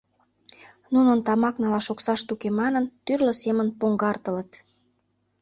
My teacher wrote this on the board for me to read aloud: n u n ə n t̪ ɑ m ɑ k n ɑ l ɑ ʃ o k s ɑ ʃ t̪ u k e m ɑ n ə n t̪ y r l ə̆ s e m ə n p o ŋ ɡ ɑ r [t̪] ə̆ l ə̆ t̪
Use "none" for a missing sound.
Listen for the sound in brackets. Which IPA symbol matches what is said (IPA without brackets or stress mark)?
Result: t̪